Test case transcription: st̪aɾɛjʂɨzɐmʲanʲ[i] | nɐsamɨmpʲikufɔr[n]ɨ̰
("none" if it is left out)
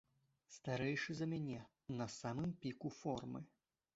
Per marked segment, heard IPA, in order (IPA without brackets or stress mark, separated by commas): ɛ, m